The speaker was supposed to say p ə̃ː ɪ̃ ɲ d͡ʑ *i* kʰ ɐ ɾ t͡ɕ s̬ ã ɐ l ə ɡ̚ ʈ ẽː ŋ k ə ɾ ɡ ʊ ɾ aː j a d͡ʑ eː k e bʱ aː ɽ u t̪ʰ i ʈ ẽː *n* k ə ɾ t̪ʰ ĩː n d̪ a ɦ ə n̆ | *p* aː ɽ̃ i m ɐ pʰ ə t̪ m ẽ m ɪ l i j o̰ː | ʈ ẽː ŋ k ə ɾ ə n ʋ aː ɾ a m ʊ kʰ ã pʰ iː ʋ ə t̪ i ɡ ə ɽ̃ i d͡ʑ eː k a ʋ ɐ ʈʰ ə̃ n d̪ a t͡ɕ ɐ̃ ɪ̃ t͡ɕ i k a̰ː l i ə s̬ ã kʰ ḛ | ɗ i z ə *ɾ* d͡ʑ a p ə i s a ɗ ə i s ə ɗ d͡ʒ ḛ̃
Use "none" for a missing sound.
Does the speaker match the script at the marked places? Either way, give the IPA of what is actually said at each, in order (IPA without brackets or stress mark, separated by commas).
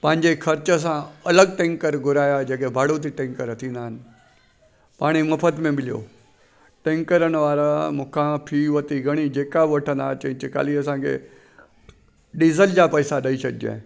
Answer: e, ŋ, p, l